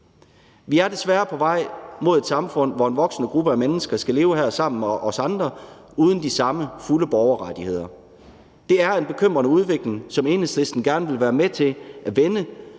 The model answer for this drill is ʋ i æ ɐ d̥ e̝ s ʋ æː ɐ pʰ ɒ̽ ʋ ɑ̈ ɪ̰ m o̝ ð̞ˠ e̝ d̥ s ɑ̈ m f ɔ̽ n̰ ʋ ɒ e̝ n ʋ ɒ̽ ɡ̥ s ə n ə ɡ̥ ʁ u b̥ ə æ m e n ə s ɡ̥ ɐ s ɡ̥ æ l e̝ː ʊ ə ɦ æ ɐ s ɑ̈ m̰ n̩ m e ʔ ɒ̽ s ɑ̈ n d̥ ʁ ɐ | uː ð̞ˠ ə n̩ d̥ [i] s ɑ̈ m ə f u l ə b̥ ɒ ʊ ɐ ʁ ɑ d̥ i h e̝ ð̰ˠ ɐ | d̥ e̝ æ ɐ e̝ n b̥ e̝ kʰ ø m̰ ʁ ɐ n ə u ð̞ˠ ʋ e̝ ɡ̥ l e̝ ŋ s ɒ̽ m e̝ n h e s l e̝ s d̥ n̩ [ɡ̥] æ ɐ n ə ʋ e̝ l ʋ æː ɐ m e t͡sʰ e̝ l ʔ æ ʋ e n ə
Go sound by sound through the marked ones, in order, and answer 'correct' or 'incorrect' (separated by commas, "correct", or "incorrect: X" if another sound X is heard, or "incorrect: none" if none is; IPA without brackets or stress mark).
correct, correct